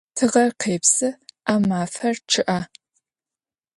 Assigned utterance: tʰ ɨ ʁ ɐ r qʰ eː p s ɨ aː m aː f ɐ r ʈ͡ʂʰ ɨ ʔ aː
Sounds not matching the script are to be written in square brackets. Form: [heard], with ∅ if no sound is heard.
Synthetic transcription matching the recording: tʰ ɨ ʁ ɐ r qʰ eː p s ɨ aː m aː f ɐ r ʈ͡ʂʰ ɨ ʔ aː